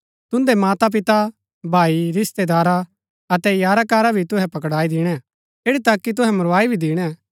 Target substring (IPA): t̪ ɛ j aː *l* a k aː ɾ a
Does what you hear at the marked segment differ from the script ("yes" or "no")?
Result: yes